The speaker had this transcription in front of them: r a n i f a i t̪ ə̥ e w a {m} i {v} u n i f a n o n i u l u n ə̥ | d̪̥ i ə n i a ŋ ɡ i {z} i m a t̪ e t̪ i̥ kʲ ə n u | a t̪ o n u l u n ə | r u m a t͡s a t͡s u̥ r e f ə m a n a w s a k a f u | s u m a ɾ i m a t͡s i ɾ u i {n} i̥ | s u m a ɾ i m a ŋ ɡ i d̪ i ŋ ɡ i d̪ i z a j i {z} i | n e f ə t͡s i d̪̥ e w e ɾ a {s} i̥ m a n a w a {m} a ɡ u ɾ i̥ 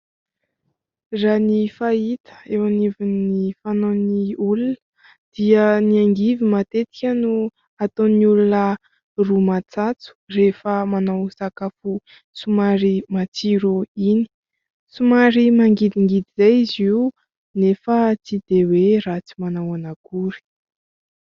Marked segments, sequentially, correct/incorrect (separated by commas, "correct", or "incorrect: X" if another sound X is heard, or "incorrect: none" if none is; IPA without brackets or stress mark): incorrect: n, correct, incorrect: v, correct, correct, incorrect: t͡s, incorrect: n